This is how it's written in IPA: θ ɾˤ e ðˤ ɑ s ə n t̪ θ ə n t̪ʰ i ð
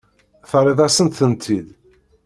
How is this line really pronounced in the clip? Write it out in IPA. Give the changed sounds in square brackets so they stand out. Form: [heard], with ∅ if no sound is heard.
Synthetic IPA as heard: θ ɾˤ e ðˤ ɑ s ə n t̪ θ ə n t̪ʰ i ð